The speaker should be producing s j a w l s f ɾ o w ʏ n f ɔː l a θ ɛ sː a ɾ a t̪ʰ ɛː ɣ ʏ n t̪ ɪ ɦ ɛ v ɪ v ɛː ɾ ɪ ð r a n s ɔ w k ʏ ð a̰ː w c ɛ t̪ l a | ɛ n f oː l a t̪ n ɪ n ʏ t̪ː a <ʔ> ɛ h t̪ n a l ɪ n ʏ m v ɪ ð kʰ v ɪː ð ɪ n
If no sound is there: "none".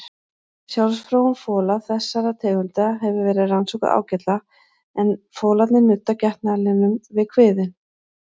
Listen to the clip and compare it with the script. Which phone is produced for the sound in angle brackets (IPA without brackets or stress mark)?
c